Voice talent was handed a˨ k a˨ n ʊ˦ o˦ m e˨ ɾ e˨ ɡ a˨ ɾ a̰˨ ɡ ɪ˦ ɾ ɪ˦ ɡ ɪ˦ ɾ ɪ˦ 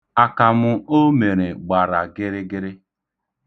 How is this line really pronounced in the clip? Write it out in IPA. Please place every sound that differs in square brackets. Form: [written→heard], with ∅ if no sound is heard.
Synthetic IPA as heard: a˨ k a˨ [n→m] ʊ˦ o˦ m e˨ ɾ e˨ [ɡ→ɡ͡b] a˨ ɾ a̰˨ ɡ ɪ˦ ɾ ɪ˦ ɡ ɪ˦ ɾ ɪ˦